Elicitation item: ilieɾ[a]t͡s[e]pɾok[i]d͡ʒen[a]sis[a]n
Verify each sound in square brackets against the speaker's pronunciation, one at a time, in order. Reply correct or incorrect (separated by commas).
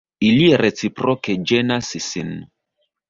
incorrect, incorrect, incorrect, correct, incorrect